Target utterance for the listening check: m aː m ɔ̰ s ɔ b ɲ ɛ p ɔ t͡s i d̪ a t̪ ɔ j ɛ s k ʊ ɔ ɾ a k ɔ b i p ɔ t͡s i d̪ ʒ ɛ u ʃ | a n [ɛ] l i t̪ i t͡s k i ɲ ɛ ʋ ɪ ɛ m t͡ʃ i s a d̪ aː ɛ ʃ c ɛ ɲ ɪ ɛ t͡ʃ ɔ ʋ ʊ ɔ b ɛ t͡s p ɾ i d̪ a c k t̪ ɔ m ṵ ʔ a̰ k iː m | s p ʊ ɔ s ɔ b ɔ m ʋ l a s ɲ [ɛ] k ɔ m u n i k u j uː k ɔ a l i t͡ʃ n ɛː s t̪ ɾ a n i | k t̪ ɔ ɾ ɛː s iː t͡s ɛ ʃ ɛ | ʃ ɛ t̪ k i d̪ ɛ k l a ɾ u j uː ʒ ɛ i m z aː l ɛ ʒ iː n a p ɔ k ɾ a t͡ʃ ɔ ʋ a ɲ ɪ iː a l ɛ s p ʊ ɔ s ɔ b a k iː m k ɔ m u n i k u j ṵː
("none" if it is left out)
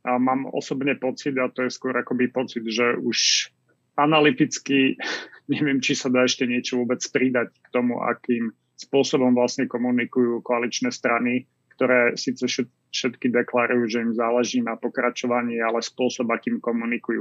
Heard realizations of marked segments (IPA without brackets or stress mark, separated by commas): a, ɛ